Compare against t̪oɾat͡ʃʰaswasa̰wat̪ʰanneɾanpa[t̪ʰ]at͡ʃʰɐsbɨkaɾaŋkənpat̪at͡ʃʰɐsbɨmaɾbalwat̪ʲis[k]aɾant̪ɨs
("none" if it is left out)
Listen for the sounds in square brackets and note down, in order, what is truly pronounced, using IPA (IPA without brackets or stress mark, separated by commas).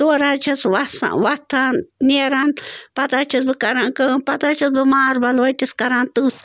t̪, k